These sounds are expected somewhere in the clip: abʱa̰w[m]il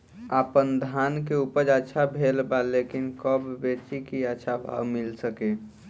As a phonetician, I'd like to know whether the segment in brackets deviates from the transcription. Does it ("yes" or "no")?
no